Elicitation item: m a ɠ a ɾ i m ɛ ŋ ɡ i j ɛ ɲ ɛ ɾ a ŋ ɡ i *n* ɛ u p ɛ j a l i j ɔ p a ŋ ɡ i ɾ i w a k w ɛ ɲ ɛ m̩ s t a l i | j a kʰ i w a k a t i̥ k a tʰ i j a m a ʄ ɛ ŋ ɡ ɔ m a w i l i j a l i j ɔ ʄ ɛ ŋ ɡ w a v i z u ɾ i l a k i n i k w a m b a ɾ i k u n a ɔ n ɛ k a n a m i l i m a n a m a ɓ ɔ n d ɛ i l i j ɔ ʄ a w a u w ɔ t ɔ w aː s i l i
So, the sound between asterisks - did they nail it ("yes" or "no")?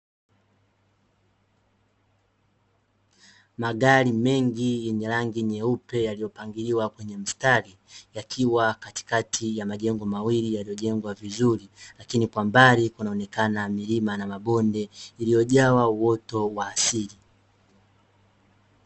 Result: no